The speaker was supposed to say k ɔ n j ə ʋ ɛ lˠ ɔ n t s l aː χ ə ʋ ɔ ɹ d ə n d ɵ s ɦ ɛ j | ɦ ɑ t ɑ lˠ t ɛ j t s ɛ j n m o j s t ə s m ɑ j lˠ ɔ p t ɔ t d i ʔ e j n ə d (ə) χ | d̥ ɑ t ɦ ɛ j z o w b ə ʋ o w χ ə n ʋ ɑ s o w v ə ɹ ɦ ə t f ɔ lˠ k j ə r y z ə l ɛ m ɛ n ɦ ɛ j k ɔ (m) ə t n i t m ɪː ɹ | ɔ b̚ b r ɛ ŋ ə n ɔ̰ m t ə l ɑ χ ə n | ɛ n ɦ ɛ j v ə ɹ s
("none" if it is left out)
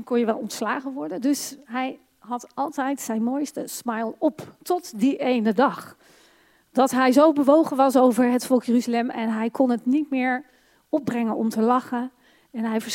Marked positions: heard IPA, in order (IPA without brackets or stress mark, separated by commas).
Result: ɑ, n